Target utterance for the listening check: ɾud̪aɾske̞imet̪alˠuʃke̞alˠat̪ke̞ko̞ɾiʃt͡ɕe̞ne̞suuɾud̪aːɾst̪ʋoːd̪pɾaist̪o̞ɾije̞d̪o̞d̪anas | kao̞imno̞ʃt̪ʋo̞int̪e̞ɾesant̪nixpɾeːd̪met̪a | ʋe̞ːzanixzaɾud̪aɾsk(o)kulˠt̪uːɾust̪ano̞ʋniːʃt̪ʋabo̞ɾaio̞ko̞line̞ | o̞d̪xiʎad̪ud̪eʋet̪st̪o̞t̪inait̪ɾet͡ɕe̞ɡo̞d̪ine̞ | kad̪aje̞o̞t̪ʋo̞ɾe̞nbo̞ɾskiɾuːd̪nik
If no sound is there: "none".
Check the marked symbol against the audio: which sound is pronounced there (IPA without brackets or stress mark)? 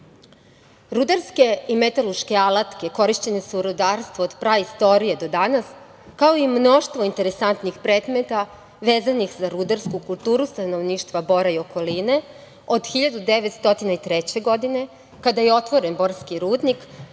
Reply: u